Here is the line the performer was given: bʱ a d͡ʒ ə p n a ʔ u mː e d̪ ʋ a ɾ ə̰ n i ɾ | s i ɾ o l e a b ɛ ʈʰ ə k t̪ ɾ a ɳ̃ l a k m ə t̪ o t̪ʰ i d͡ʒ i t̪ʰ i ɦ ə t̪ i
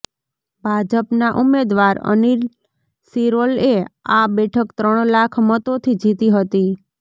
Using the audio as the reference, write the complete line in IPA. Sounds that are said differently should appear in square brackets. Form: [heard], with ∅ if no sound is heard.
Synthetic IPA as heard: bʱ a d͡ʒ ə p n a ʔ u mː e d̪ ʋ a ɾ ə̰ n i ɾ | s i ɾ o l e a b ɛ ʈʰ ə k t̪ ɾ [ə] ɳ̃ l a [kʰ] m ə t̪ o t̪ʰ i d͡ʒ i [t̪] i ɦ ə t̪ i

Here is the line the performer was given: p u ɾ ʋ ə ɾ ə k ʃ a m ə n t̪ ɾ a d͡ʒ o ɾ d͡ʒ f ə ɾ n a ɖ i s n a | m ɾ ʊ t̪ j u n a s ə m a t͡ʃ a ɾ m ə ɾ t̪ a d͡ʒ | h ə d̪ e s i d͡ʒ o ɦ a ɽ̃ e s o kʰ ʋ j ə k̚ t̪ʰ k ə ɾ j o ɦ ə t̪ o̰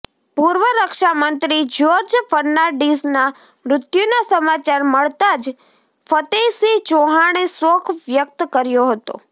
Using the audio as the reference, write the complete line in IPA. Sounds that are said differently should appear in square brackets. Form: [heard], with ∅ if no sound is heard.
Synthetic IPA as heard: p u ɾ ʋ ə ɾ ə k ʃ a m ə n t̪ ɾ [i] d͡ʒ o ɾ d͡ʒ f ə ɾ n a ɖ i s n a | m ɾ ʊ t̪ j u n a s ə m a t͡ʃ a ɾ m ə [ɭ] t̪ a d͡ʒ | [f] ə [t̪] e s i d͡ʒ o ɦ a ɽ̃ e s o kʰ ʋ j ə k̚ [t̪] k ə ɾ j o ɦ ə t̪ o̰

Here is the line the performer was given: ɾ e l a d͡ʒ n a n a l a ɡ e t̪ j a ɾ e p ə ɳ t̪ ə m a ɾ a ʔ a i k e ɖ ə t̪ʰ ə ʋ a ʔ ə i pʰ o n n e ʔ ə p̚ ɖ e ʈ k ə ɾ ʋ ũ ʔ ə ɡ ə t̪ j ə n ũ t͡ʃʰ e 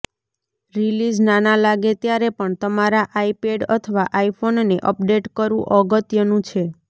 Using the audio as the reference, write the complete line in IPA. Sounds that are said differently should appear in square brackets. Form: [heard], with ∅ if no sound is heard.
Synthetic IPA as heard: ɾ [i] l [i] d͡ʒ n a n a l a ɡ e t̪ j a ɾ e p ə ɳ t̪ ə m a ɾ a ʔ a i [p] e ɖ ə t̪ʰ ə ʋ a ʔ [a] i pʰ o n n e ʔ ə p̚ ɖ e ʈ k ə ɾ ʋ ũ ʔ ə ɡ ə t̪ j ə n ũ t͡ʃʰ e

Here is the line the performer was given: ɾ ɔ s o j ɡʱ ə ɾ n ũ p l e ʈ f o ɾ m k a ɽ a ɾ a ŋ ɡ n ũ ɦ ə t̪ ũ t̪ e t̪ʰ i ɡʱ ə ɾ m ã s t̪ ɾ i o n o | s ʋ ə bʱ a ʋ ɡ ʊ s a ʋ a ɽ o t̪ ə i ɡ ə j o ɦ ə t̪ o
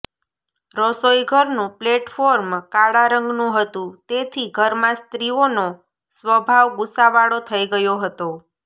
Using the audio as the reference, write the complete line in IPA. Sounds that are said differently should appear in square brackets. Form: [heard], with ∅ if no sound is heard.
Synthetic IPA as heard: ɾ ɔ s o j ɡʱ ə ɾ n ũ p l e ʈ f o ɾ m k a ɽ a ɾ [ə] ŋ ɡ n ũ ɦ ə t̪ ũ t̪ e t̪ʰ i ɡʱ ə ɾ m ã s t̪ ɾ i o n o | s ʋ ə bʱ a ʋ ɡ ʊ s a ʋ a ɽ o [t̪ʰ] ə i ɡ ə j o ɦ ə t̪ o

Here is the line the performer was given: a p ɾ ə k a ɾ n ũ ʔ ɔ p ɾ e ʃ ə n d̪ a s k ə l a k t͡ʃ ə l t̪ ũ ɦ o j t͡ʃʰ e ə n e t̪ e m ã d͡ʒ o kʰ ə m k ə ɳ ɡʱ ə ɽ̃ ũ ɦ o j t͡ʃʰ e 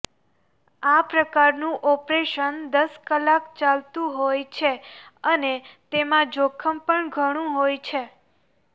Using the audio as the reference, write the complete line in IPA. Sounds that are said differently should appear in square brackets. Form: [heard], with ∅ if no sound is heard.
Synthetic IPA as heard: a p ɾ ə k a ɾ n ũ ʔ ɔ p ɾ e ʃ ə n d̪ [ə] s k ə l a k t͡ʃ [a] l t̪ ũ ɦ o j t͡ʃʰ e ə n e t̪ e m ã d͡ʒ o kʰ ə m [p] ə ɳ ɡʱ ə ɽ̃ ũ ɦ o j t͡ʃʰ e

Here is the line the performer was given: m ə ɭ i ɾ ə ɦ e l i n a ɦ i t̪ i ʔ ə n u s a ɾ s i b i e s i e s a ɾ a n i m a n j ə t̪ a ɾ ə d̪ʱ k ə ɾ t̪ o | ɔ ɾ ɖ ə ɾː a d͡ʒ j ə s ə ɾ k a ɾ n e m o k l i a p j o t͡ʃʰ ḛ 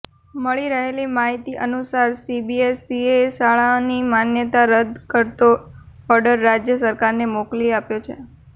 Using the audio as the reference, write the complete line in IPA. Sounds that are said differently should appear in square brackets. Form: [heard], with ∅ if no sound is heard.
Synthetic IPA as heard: m ə ɭ i ɾ ə ɦ e l i [m] a ɦ i t̪ i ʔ ə n u s a ɾ s i b i e s i e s a [ɭ] a n i m a n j ə t̪ a ɾ ə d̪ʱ k ə ɾ t̪ o | ɔ ɾ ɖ ə ɾː a d͡ʒ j ə s ə ɾ k a ɾ n e m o k l i a p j o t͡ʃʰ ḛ

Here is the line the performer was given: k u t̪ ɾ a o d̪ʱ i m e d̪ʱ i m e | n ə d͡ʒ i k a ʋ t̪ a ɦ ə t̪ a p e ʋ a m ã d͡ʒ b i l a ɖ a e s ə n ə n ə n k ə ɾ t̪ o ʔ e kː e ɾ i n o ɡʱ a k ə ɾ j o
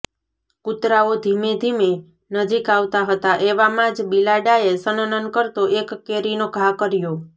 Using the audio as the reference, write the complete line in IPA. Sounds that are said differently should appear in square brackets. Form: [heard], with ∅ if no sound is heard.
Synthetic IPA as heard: k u t̪ ɾ a o d̪ʱ i m e d̪ʱ i m e | n ə d͡ʒ i k a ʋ t̪ a ɦ ə t̪ a [ʔ] e ʋ a m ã d͡ʒ b i l a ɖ a e s ə n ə n ə n k ə ɾ t̪ o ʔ e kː e ɾ i n o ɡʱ a k ə ɾ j o

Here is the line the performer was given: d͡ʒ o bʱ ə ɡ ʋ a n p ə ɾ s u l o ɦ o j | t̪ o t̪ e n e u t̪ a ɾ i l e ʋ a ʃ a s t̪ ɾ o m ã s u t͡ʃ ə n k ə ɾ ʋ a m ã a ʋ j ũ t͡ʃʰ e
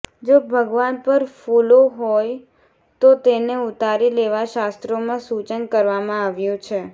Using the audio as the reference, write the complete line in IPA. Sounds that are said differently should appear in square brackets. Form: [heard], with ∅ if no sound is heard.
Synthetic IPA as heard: d͡ʒ o bʱ ə ɡ ʋ a n p ə ɾ [f] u l o ɦ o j | t̪ o t̪ e n e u t̪ a ɾ i l e ʋ a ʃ a s t̪ ɾ o m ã s u t͡ʃ ə n k ə ɾ ʋ a m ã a ʋ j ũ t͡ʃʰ e

